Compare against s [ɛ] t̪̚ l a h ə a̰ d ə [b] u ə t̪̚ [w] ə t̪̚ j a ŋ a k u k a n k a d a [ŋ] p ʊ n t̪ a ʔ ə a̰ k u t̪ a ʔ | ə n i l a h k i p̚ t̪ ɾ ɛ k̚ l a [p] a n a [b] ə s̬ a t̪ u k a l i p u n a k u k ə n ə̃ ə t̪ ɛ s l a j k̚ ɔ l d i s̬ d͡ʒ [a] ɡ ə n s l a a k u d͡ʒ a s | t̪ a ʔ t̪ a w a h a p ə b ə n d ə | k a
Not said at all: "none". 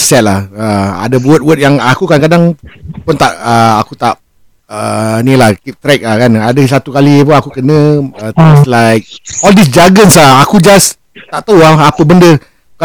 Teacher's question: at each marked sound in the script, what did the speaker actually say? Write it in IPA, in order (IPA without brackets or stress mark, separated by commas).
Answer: ɛ, b, w, ŋ, k, d, a